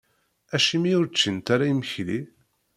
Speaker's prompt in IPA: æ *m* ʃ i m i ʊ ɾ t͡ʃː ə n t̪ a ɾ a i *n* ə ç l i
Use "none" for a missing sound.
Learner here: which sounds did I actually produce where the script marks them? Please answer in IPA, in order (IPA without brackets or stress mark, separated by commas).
none, m